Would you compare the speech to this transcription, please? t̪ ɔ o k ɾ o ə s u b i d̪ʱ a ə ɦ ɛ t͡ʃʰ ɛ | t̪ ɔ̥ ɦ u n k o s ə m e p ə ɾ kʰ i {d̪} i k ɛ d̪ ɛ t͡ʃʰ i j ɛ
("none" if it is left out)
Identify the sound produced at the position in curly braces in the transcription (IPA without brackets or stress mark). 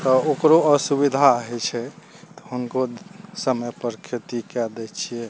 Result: t̪